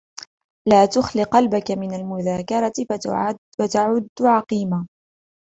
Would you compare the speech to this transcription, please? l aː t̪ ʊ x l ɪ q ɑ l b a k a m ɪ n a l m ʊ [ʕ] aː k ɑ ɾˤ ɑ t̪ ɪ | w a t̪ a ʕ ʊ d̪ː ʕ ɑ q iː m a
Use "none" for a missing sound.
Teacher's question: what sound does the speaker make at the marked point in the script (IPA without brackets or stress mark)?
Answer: ð